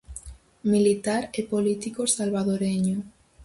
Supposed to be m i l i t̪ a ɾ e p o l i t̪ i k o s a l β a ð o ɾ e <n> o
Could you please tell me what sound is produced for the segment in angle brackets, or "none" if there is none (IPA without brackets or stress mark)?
ɲ